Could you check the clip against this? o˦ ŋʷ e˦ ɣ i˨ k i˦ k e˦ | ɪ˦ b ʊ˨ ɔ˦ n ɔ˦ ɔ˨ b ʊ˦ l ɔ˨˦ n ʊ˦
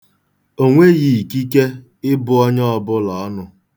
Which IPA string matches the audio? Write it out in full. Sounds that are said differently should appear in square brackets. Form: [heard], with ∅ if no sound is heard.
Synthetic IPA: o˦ ŋʷ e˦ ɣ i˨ k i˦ k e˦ | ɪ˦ b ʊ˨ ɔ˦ [ɲ] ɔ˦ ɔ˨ b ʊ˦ l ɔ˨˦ n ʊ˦